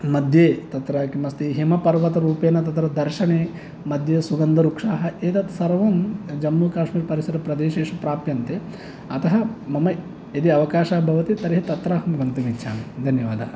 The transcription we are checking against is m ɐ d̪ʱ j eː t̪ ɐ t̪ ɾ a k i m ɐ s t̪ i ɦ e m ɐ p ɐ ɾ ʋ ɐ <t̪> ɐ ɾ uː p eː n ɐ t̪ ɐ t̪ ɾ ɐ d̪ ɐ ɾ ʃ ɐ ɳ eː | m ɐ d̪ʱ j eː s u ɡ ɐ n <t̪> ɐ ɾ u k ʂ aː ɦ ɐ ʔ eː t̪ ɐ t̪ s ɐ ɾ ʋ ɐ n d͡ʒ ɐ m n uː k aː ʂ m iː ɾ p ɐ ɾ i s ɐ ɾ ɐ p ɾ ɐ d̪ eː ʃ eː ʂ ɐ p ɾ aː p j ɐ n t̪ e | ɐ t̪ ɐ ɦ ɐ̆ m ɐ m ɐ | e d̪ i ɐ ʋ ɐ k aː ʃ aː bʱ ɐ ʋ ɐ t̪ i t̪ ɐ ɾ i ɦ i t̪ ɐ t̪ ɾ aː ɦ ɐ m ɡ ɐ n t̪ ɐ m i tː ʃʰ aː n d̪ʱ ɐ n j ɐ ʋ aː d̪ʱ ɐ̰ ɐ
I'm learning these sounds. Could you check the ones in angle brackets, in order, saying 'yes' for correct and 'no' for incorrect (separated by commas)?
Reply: yes, no